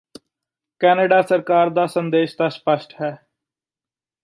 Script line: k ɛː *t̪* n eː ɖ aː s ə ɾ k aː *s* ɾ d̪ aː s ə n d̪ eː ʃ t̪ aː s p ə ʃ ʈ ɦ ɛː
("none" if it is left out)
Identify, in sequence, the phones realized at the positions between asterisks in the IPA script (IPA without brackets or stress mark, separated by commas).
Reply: none, none